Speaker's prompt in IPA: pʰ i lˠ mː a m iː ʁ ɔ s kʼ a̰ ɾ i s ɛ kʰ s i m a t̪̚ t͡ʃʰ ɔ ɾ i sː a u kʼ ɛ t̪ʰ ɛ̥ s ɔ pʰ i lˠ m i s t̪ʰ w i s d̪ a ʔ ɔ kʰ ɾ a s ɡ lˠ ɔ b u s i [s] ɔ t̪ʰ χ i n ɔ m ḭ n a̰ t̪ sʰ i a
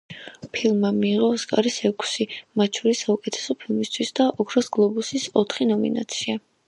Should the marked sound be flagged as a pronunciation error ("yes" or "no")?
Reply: no